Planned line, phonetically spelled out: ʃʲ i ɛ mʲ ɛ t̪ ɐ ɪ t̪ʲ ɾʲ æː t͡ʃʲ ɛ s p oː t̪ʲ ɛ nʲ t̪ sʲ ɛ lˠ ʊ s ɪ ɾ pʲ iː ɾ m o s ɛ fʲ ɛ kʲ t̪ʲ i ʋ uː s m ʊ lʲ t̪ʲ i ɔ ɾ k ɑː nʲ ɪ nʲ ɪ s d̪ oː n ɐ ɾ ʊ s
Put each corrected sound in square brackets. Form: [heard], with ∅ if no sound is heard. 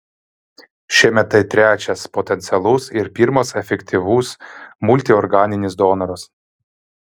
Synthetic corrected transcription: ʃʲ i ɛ mʲ ɛ t̪ ɐ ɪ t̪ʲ ɾʲ æː t͡ʃʲ ɛ s p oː t̪ʲ ɛ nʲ t̪ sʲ ɛ lˠ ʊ s ɪ ɾ pʲ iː ɾ m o s ɛ fʲ ɛ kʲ t̪ʲ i ʋ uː s m ʊ lʲ t̪ʲ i ɔ ɾ [ɡ] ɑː nʲ ɪ nʲ ɪ s d̪ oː n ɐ ɾ ʊ s